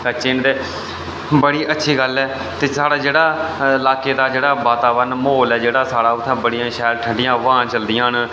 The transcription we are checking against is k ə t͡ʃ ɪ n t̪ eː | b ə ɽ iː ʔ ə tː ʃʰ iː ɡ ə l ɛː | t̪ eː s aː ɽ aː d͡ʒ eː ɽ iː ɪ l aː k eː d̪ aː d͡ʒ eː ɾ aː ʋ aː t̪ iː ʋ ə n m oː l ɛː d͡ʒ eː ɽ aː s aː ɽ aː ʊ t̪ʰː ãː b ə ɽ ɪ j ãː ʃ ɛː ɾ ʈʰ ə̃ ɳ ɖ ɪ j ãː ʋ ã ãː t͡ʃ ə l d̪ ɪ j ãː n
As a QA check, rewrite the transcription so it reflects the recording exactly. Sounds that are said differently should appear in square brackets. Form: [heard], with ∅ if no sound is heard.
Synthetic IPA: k ə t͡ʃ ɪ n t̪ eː | b ə ɽ iː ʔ ə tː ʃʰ iː ɡ ə l ɛː | t̪ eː s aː ɽ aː d͡ʒ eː ɽ [aː] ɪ l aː k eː d̪ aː d͡ʒ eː [ɽ] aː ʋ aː t̪ [aː] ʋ ə n m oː l ɛː d͡ʒ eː ɽ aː s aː ɽ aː ʊ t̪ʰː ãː b ə ɽ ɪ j ãː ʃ ɛː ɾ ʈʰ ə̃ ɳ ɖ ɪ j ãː ʋ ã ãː t͡ʃ ə l d̪ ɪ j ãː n